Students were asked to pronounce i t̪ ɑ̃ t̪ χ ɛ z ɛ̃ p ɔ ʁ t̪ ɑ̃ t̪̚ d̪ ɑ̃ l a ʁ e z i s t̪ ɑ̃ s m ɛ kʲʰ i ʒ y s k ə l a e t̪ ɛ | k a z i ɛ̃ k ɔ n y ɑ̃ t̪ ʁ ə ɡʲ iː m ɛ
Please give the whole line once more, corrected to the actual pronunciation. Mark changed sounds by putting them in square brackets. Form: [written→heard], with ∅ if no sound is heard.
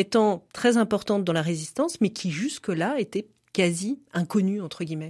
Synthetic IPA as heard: [i→e] t̪ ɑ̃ t̪ χ ɛ z ɛ̃ p ɔ ʁ t̪ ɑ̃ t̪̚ d̪ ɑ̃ l a ʁ e z i s t̪ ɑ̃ s m ɛ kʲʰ i ʒ y s k ə l a e t̪ ɛ | k a z i ɛ̃ k ɔ n y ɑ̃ t̪ [ʁ→χ] ə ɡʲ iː m ɛ